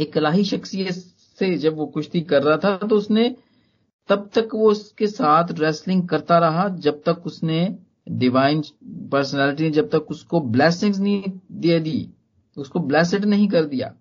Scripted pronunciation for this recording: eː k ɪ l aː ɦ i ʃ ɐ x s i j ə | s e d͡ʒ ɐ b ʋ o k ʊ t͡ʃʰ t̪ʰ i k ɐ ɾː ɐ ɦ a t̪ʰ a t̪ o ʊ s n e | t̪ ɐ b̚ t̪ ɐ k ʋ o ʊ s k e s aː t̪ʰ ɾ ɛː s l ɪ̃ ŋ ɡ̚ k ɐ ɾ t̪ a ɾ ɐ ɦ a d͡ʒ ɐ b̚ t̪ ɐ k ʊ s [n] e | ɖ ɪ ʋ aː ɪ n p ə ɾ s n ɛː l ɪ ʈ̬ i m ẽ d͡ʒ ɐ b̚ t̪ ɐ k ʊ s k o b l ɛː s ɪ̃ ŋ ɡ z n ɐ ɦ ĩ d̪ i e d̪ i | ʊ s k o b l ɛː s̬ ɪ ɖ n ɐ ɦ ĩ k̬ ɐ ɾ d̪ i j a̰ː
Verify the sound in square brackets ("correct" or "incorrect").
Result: correct